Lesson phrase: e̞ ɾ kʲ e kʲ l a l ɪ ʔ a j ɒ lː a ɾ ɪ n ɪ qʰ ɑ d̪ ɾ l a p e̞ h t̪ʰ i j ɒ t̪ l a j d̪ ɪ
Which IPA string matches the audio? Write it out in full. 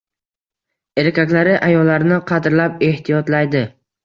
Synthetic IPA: e̞ ɾ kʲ a kʲ l a ɾ ɪ ʔ a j ɒ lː a ɾ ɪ n ɪ qʰ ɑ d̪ ɾ l a p e̞ h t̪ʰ i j ɒ t̪ l a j d̪ ɪ